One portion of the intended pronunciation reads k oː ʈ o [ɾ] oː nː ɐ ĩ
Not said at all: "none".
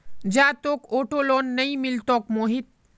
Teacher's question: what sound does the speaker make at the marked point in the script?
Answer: l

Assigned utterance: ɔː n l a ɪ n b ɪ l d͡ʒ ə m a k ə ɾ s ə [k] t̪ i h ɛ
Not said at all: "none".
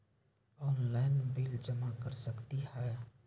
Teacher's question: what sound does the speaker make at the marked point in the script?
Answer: k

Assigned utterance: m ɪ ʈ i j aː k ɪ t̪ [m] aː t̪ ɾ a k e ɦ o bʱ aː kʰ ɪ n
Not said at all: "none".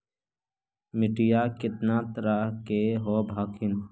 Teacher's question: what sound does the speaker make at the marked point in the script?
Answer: n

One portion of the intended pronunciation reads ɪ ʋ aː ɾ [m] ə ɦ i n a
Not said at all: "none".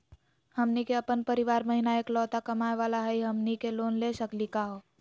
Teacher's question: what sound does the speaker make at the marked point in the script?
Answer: m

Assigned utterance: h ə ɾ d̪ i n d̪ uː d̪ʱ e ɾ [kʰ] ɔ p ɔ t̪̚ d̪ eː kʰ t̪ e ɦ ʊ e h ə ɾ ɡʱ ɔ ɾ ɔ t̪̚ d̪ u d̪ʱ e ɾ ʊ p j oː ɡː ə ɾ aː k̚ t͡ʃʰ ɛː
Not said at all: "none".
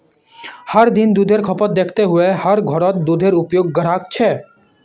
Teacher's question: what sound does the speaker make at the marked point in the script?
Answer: kʰ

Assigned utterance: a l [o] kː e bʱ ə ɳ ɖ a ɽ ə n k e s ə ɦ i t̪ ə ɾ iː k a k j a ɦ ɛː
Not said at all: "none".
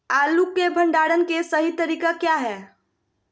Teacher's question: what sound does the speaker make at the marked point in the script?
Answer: u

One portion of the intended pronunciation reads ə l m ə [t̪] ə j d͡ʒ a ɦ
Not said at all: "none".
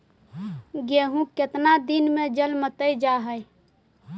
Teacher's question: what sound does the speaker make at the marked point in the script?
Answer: t̪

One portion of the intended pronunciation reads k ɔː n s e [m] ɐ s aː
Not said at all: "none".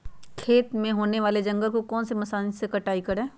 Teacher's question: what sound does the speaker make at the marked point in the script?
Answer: m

